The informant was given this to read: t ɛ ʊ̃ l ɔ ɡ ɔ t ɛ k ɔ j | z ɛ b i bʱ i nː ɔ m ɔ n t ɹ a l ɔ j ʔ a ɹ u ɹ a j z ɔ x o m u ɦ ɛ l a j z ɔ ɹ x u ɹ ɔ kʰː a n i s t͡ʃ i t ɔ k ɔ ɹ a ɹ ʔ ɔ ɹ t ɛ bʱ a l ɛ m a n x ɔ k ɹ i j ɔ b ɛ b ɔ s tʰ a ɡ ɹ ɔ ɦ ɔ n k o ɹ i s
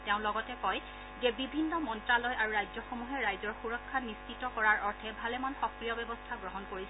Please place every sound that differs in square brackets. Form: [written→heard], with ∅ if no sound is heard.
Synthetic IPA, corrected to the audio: t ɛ ʊ̃ l ɔ ɡ ɔ t ɛ k ɔ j | z ɛ b i bʱ i nː ɔ m ɔ n t ɹ a l ɔ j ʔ a ɹ u ɹ a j z ɔ x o m u ɦ ɛ [l→ɹ] a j z ɔ ɹ x u ɹ ɔ kʰː a n i s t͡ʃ i t ɔ k ɔ ɹ a ɹ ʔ ɔ ɹ [t→tʰ] ɛ bʱ a l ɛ m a n x ɔ k ɹ i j ɔ b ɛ b ɔ s tʰ a ɡ ɹ ɔ ɦ ɔ n k o ɹ i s

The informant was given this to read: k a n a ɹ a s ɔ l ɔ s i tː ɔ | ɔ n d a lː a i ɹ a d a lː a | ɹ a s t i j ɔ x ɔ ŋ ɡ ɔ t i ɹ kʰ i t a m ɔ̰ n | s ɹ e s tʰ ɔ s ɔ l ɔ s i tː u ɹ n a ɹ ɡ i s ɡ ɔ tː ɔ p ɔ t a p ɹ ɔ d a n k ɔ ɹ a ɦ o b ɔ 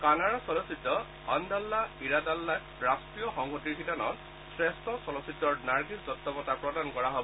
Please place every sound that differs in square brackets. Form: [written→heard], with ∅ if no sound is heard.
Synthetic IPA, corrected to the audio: k a n a ɹ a s ɔ l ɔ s i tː ɔ | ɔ n d a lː a i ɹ a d a lː a | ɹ a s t i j ɔ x ɔ ŋ ɡ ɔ t i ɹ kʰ i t a [m→n] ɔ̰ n | s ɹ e s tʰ ɔ s ɔ l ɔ s i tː [u→ɔ] ɹ n a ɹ ɡ i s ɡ ɔ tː ɔ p ɔ t a p ɹ ɔ d a n k ɔ ɹ a ɦ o b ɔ

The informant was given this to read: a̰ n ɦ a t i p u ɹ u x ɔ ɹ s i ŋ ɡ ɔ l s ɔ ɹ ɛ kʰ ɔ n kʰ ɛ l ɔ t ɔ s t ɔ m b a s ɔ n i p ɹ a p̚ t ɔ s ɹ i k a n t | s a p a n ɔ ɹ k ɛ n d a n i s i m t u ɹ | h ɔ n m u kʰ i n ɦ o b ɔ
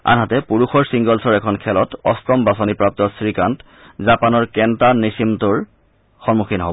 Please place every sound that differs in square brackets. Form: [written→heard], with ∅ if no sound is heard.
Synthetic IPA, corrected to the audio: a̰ n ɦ a t [i→ɛ] p u ɹ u x ɔ ɹ s i ŋ ɡ ɔ l s ɔ ɹ ɛ kʰ ɔ n kʰ ɛ l ɔ t ɔ s t ɔ m b a s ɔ n i p ɹ a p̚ t ɔ s ɹ i k a n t | [s→z] a p a n ɔ ɹ k ɛ n [d→t] a n i s i m t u ɹ | [h→x] ɔ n m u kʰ i n ɦ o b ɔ

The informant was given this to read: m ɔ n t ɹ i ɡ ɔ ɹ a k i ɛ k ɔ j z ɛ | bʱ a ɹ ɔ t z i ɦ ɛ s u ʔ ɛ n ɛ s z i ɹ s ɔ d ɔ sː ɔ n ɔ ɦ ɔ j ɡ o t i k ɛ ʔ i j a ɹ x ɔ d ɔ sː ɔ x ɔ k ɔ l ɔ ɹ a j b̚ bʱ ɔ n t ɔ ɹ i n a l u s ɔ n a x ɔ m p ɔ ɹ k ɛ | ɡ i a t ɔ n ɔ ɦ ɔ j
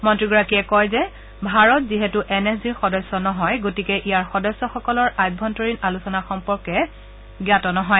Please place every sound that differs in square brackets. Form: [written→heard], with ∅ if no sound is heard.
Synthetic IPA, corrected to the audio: m ɔ n t ɹ i ɡ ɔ ɹ a k i ɛ k ɔ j z ɛ | bʱ a ɹ ɔ t z i ɦ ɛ [s→t] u ʔ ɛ n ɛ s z i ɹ [s→x] ɔ d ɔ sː ɔ n ɔ ɦ ɔ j ɡ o t i k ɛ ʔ i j a ɹ x ɔ d ɔ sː ɔ x ɔ k ɔ l ɔ ɹ a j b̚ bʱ ɔ n t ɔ ɹ i n a l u s ɔ n a x ɔ m p ɔ ɹ k ɛ | ɡ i a t ɔ n ɔ ɦ ɔ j

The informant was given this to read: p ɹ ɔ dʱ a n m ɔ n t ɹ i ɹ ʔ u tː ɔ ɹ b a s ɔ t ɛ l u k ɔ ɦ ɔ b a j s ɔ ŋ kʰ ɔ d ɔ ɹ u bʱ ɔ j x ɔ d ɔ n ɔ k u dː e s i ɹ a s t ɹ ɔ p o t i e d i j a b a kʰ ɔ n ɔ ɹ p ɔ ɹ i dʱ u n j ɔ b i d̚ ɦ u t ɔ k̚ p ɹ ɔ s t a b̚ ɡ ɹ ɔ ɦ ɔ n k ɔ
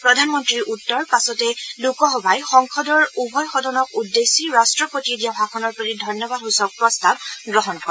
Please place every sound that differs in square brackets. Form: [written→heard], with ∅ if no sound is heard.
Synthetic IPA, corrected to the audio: p ɹ ɔ dʱ a n m ɔ n t ɹ i ɹ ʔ u tː ɔ ɹ [b→p] a s ɔ t ɛ l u k ɔ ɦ ɔ b a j [s→x] ɔ ŋ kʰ ɔ d ɔ ɹ u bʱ ɔ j x ɔ d ɔ n ɔ k u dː e s i ɹ a s t ɹ ɔ p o t i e d i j a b a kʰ ɔ n ɔ ɹ p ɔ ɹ i dʱ [u→ɔ] n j ɔ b [i→a] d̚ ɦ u [t→s] ɔ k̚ p ɹ ɔ s t a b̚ ɡ ɹ ɔ ɦ ɔ n k ɔ

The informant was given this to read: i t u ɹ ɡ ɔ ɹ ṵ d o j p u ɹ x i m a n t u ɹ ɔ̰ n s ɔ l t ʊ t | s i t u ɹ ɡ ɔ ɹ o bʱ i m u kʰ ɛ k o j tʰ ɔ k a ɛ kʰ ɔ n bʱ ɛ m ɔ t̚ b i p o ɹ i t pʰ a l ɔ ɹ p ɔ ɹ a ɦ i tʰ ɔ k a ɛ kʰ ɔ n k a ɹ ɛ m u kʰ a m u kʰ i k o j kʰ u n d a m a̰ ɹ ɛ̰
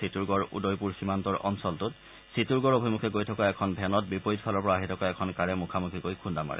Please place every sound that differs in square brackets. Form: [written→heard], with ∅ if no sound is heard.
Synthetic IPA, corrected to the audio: i t u ɹ ɡ ɔ ɹ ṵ d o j p u ɹ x i m a n t [u→ɔ] ɹ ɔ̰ n s ɔ l t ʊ t | s i t u ɹ ɡ ɔ ɹ o bʱ i m u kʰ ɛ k o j tʰ ɔ k a ɛ kʰ ɔ n bʱ ɛ [m→n] ɔ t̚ b i p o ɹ i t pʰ a l ɔ ɹ p ɔ ɹ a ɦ i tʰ ɔ k a ɛ kʰ ɔ n k a ɹ ɛ m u kʰ a m u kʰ i k o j kʰ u n d a m a̰ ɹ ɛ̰

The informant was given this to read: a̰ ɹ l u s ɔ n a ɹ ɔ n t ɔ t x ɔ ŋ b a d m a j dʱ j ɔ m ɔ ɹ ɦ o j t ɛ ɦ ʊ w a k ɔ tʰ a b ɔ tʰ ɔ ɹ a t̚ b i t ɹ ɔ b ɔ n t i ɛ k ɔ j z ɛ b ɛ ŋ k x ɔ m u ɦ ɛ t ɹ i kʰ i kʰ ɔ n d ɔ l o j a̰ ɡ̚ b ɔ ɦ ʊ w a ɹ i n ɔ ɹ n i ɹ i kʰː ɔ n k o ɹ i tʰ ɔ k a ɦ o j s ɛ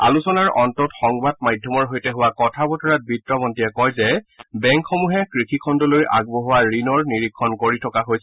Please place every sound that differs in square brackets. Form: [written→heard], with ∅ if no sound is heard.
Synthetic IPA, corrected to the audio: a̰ [ɹ→∅] l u s ɔ n a ɹ ɔ n t ɔ t x ɔ ŋ b a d m a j dʱ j ɔ m ɔ ɹ ɦ o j t ɛ ɦ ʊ w a k ɔ tʰ a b ɔ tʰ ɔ ɹ a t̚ b i t ɹ ɔ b ɔ n t i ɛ k ɔ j z ɛ b ɛ ŋ k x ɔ m u ɦ ɛ [t→k] ɹ i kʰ i kʰ ɔ n d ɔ l o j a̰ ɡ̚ b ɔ ɦ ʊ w a ɹ i n ɔ ɹ n i ɹ i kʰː ɔ n k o ɹ i tʰ ɔ k a ɦ o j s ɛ

